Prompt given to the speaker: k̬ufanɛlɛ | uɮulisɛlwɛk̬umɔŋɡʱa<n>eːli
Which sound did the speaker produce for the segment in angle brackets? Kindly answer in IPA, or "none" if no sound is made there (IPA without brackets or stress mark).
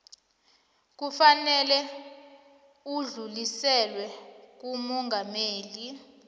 m